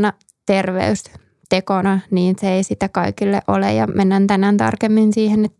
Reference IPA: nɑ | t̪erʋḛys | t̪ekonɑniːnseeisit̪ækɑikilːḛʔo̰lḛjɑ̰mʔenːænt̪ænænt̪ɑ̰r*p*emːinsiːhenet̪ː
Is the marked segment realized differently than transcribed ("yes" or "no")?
yes